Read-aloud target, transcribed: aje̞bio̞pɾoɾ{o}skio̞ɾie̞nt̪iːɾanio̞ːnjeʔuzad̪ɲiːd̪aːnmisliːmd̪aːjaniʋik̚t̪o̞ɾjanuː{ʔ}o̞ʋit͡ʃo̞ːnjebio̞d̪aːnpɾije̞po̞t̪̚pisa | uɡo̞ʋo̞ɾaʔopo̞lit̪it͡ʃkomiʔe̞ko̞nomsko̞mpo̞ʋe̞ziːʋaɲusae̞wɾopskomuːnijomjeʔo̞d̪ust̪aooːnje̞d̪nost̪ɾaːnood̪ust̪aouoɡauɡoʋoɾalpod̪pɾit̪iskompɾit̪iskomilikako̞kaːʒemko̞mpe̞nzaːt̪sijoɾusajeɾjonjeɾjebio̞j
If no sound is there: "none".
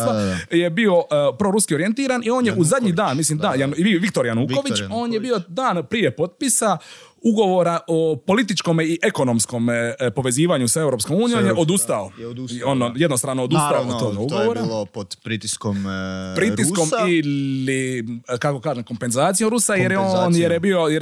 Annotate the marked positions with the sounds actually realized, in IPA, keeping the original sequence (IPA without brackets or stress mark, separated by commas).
u, k